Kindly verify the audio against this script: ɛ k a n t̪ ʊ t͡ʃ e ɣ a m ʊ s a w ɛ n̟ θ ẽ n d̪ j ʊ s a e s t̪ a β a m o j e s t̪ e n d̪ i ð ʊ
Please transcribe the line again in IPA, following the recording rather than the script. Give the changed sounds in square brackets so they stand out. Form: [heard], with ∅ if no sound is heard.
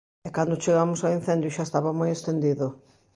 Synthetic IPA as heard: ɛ k a n [d̪] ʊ t͡ʃ e ɣ a m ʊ s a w [i] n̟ θ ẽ n d̪ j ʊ [ʃ] a e s t̪ a β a m o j e s t̪ e n d̪ i ð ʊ